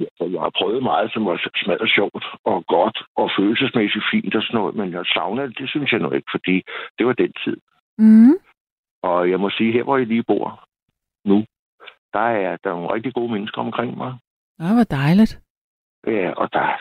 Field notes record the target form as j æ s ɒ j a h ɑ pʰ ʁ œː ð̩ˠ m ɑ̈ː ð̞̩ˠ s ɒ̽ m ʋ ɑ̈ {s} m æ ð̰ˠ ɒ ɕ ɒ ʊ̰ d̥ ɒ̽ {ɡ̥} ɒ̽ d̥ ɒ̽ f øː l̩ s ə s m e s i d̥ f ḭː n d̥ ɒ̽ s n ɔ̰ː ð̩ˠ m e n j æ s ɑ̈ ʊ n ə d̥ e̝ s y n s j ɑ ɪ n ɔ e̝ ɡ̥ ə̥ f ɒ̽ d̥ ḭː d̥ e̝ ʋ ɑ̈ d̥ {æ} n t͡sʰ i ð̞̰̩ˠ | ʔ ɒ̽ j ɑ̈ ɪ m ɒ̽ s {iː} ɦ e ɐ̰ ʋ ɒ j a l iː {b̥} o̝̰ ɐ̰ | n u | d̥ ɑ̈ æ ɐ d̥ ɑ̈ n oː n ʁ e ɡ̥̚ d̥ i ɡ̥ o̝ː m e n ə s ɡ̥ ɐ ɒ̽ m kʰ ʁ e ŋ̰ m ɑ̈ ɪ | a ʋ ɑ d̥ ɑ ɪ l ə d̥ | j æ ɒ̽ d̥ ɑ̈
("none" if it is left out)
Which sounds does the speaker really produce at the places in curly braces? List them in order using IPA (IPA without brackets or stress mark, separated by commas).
s, ɡ̥, e, iː, b̥